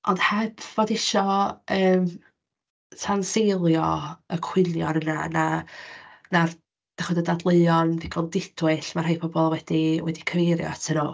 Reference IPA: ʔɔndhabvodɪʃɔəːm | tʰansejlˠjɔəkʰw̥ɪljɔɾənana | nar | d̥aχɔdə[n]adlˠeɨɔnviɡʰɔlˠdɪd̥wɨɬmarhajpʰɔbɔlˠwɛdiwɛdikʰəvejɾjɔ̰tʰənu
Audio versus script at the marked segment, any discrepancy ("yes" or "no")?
yes